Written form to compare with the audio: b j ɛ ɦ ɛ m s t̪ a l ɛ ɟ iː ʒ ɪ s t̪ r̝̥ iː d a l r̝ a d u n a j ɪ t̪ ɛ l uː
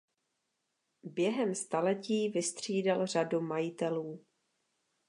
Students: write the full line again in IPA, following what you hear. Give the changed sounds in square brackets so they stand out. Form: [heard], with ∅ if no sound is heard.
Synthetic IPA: b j ɛ ɦ ɛ m s t̪ a l ɛ [c] iː [v] ɪ s t̪ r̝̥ iː d a l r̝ a d u [m] a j ɪ t̪ ɛ l uː